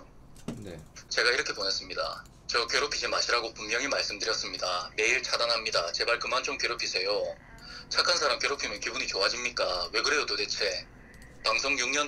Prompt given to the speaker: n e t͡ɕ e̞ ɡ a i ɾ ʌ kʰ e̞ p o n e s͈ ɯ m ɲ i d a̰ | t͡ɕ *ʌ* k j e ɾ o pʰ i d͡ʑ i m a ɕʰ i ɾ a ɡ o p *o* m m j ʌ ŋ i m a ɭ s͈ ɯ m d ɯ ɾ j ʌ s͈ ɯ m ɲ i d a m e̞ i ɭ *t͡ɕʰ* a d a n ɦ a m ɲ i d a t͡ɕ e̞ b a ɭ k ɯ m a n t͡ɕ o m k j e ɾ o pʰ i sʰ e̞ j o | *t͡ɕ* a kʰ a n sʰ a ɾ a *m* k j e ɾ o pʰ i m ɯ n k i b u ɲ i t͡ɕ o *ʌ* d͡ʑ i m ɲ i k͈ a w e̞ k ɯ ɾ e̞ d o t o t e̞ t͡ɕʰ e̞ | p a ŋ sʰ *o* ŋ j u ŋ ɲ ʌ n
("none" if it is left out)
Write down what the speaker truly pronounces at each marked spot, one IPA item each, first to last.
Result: ʌ, u, t͡ɕʰ, t͡ɕʰ, m, a, o

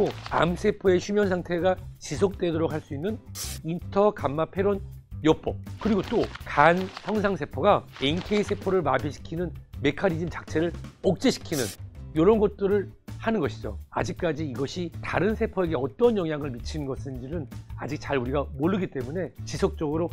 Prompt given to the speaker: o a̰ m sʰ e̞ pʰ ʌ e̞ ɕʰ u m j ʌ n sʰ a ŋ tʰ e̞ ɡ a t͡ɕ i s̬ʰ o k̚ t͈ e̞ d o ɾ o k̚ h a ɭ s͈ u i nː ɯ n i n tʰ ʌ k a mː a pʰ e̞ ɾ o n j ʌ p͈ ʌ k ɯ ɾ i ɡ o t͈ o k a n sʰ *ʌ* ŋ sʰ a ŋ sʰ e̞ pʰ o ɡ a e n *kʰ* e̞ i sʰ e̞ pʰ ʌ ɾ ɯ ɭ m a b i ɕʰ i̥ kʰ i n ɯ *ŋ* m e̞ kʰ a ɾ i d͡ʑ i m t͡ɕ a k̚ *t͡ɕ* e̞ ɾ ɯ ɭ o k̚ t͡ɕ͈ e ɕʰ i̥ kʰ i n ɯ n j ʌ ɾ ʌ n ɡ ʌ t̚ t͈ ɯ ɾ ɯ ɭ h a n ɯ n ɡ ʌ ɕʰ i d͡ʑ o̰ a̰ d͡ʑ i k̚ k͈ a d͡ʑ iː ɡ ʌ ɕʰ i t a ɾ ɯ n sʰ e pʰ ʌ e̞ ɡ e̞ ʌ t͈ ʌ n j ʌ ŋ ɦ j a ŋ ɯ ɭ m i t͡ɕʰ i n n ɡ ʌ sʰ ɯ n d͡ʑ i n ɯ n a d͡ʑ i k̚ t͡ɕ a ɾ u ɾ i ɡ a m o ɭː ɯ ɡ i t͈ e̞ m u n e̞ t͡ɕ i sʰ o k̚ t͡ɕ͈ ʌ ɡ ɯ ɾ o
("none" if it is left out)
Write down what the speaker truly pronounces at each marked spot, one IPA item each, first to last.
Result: ʌ, kʰ, n, t͡ɕʰ

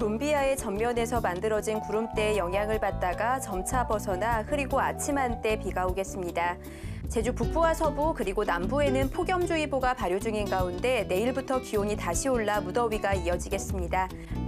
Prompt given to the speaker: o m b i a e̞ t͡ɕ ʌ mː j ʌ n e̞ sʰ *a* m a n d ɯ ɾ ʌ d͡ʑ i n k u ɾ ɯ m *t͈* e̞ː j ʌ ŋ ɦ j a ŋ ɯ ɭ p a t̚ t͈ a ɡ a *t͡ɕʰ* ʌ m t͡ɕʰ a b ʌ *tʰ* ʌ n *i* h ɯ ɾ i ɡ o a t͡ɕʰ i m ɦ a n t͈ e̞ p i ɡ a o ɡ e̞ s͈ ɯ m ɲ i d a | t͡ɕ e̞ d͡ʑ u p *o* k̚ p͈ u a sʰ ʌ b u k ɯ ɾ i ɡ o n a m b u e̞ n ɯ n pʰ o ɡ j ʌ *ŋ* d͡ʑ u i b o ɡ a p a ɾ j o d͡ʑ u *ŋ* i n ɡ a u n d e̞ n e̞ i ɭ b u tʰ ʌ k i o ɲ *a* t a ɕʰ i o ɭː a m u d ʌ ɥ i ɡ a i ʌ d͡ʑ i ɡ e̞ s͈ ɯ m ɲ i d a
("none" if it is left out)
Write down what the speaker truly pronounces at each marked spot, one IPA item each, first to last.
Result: ʌ, t͈, t͡ɕ, sʰ, a, u, m, ŋ, i

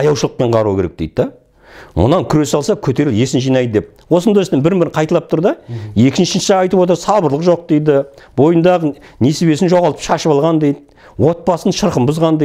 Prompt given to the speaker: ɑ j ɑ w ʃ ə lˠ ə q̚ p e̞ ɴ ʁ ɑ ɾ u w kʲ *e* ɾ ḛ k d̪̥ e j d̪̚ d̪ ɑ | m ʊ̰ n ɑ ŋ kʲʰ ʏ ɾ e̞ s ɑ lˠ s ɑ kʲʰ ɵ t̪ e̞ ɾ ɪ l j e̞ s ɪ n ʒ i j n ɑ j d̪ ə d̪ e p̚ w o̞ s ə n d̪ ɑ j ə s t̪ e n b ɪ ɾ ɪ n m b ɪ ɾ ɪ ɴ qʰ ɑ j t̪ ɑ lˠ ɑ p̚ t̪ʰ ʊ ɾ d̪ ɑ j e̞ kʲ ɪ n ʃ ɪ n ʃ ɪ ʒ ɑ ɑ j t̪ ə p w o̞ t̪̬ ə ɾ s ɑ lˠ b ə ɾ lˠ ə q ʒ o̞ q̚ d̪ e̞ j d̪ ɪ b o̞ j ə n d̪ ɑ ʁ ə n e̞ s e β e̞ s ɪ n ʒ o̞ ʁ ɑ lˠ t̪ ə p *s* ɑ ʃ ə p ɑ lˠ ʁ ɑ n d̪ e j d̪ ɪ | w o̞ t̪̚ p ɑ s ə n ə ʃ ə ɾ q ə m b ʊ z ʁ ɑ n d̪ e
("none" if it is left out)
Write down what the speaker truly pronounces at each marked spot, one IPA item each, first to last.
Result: e, ʃ

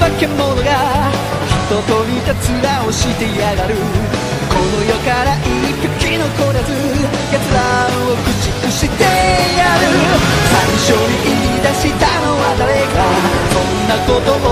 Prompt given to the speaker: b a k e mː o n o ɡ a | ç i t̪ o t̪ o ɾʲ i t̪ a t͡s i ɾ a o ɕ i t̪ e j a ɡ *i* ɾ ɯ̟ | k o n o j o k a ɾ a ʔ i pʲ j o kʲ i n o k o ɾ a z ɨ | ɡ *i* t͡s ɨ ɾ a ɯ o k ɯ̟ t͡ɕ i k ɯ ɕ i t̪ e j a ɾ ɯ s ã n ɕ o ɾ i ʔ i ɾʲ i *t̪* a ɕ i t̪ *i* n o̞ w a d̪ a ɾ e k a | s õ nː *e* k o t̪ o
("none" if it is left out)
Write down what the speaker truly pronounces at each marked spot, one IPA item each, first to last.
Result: a, a, d̪, a, a

